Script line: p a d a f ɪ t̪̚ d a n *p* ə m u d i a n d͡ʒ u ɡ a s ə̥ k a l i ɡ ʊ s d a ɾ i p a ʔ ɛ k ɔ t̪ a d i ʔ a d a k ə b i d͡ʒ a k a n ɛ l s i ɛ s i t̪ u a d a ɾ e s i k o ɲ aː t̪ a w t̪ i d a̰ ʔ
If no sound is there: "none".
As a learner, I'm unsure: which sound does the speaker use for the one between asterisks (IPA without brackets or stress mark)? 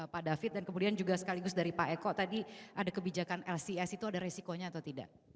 k